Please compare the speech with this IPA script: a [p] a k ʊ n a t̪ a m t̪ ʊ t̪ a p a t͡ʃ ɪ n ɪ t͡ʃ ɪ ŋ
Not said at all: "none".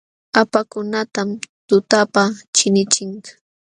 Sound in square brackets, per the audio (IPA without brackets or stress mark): p